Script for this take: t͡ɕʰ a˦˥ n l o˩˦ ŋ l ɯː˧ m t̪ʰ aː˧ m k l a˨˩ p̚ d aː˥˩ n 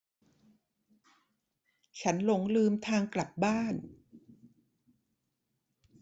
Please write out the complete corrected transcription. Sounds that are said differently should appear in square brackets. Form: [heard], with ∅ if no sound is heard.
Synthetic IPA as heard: t͡ɕʰ a˦˥ n l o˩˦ ŋ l ɯː˧ m t̪ʰ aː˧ [ŋ] k l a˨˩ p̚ [b] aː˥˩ n